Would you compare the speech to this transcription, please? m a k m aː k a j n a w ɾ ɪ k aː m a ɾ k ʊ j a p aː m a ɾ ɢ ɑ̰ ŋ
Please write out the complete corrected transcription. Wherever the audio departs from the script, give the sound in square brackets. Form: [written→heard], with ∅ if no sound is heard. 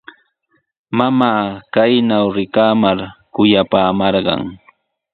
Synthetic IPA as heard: m a [k→∅] m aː k a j n a w ɾ ɪ k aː m a ɾ k ʊ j a p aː m [a→ɑ] ɾ ɢ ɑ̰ ŋ

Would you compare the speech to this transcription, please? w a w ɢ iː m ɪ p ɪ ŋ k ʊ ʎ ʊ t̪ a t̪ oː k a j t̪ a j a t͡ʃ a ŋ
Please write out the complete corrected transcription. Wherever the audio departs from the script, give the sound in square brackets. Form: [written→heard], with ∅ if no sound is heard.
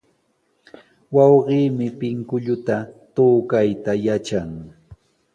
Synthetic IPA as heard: w [a→ɑ] w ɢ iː m ɪ p ɪ ŋ k ʊ ʎ ʊ t̪ a t̪ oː k a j t̪ a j a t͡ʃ a ŋ

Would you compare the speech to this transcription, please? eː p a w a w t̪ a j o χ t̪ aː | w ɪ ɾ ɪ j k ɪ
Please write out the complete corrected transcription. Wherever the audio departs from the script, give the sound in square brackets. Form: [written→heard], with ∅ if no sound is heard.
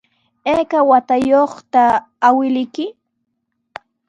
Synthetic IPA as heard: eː [p→k] a w a [w→∅] t̪ a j o χ t̪ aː | w ɪ [ɾ→l] ɪ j k ɪ

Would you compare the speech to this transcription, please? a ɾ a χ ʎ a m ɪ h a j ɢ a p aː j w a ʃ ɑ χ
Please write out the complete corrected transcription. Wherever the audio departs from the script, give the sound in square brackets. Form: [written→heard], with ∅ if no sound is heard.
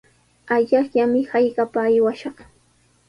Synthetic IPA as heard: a [ɾ→ʎ] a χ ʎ a m ɪ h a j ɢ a p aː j w a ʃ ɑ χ

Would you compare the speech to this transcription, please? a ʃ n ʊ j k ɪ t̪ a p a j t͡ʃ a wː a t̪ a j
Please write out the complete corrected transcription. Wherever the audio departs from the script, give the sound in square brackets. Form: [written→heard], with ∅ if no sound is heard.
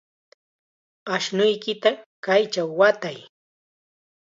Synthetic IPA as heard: a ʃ n ʊ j k ɪ t̪ a [p→k] a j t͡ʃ a wː a t̪ a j

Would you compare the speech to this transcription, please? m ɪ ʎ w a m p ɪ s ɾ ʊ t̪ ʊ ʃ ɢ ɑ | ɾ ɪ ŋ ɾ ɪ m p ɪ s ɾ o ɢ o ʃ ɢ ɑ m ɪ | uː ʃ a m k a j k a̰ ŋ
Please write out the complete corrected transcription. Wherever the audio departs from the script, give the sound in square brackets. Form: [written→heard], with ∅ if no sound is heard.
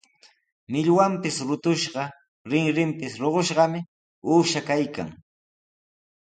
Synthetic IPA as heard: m ɪ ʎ w a m p ɪ s ɾ ʊ t̪ ʊ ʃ ɢ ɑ | ɾ ɪ ŋ ɾ ɪ m p ɪ s ɾ o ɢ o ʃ ɢ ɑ m ɪ | uː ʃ a [m→∅] k a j k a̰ ŋ

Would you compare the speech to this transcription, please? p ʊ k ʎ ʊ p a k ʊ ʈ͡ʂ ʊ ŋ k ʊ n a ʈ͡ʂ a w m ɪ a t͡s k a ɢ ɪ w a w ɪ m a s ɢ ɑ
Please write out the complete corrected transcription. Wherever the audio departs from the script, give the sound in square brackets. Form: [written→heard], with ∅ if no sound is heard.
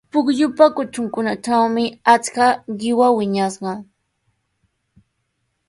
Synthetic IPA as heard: p ʊ k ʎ ʊ p a k ʊ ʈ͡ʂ ʊ ŋ k ʊ n a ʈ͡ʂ a w m ɪ a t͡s k a ɢ ɪ w a w ɪ [m→ɲ] a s ɢ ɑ

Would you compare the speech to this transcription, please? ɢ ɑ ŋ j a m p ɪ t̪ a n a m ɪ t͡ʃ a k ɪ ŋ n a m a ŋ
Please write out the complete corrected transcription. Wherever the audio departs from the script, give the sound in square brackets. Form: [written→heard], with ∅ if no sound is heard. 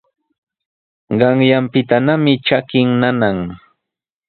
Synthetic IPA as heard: ɢ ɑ ŋ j a m p ɪ t̪ a n a m ɪ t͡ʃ a k ɪ ŋ n a [m→n] a ŋ

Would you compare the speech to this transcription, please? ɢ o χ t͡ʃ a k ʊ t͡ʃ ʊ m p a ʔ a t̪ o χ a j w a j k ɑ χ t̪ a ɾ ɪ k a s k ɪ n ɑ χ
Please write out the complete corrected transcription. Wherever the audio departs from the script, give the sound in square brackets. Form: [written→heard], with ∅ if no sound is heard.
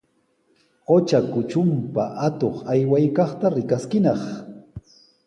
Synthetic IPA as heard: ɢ o [χ→∅] t͡ʃ a k ʊ t͡ʃ ʊ m p a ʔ a t̪ o χ a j w a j k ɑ χ t̪ a ɾ ɪ k a s k ɪ n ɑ χ

